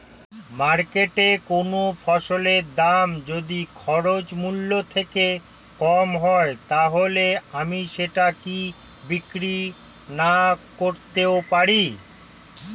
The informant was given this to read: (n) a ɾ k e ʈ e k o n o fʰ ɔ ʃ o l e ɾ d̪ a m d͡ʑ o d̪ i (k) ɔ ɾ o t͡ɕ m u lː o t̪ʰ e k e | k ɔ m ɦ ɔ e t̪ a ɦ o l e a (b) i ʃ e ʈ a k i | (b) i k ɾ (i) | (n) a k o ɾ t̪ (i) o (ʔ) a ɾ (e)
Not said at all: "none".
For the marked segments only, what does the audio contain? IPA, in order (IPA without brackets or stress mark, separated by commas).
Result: m, kʰ, m, b, i, n, e, p, i